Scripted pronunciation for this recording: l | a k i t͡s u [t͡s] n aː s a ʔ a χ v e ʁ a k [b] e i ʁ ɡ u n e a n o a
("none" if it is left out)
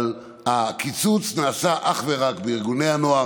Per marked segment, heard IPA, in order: t͡s, b

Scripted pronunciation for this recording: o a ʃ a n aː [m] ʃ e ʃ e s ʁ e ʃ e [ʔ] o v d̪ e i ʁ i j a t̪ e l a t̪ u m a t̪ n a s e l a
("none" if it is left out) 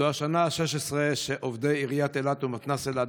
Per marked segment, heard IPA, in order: none, ʔ

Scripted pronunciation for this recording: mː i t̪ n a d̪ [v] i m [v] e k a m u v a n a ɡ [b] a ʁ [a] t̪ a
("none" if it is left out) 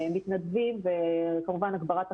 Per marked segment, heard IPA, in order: v, v, b, a

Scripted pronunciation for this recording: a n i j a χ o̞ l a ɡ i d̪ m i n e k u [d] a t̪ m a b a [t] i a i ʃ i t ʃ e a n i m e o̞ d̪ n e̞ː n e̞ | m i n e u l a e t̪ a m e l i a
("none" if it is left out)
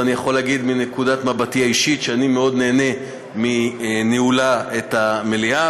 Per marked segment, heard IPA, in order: d, t

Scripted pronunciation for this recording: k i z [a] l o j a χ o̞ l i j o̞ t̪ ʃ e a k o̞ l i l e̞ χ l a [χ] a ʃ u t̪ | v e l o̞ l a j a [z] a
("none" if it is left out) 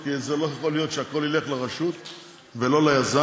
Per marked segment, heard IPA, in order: e, ʁ, z

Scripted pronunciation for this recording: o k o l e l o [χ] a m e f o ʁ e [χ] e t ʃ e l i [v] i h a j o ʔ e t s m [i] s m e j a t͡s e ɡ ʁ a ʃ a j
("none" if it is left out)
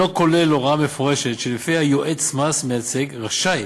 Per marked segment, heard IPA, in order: ʁ, ʃ, f, a

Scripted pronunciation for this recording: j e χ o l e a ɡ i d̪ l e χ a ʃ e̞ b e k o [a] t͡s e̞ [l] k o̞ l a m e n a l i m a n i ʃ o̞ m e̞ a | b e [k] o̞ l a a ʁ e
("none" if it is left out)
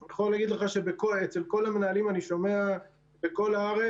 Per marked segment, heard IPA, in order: e, l, k

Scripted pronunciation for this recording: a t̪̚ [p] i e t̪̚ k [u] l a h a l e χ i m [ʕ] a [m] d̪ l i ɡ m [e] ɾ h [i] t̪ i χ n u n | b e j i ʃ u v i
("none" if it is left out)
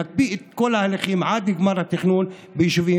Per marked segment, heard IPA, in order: b, o, ʕ, none, a, a

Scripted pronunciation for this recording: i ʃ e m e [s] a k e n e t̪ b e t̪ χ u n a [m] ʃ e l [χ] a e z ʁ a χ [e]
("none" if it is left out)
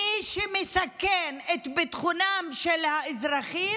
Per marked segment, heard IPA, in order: s, m, h, i

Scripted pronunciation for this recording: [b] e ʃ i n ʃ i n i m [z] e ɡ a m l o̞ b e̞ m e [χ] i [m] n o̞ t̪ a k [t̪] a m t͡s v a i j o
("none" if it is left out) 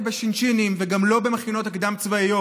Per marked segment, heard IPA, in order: b, v, χ, none, d̪

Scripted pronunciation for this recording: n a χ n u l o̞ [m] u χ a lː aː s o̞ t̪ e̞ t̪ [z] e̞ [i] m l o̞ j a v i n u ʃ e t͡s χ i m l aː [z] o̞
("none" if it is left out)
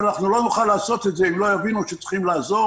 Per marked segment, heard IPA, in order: n, z, i, z

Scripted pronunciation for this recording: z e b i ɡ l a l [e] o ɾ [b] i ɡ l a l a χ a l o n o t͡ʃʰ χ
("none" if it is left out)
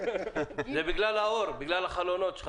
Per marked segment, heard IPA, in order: a, b

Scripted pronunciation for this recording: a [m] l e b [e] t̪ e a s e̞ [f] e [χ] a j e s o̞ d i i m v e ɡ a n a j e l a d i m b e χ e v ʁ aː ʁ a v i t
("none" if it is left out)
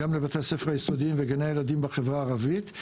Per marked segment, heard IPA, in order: m, a, f, ʁ

